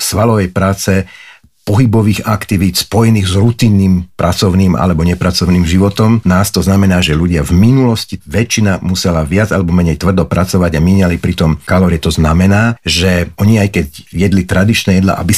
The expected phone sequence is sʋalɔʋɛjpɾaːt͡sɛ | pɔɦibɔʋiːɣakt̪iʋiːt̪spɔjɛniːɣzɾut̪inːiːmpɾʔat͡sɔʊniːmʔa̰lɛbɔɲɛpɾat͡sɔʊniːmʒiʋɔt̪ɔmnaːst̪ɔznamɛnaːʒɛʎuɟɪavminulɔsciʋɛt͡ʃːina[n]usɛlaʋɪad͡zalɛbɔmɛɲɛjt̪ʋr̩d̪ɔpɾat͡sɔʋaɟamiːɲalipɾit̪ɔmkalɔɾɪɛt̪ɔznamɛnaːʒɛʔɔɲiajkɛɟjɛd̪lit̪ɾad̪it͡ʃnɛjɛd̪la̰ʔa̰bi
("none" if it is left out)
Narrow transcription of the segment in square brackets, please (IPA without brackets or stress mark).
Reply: m